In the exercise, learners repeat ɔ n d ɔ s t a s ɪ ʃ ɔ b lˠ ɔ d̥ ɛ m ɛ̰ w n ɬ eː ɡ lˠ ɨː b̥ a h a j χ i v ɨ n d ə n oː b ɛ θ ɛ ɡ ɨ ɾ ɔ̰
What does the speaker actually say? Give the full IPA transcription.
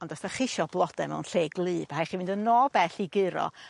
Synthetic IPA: ɔ n d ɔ s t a χ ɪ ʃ ɔ b lˠ ɔ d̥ ɛ m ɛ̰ w n ɬ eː ɡ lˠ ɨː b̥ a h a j χ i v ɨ n d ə n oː b ɛ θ i ɡ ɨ ɾ ɔ̰